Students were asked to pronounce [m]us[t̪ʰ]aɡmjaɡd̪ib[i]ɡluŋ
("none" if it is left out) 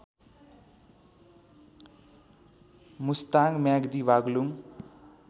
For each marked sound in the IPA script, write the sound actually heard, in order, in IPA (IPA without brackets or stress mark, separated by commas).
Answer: m, t̪, a